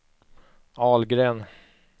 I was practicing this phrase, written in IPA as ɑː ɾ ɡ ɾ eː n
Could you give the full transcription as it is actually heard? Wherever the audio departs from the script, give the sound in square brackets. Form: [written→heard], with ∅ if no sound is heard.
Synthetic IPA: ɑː [ɾ→l] ɡ ɾ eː n